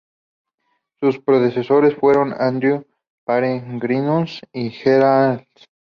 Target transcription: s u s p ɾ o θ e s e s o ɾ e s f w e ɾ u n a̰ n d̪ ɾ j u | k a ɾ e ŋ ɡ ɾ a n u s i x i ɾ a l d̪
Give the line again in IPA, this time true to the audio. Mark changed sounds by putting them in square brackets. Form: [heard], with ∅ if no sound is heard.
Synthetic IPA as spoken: s u s p ɾ o [ð] e s e s o ɾ e s f w e ɾ [o] n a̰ n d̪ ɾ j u | [p] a ɾ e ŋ ɡ ɾ [i] n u s i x [e] ɾ a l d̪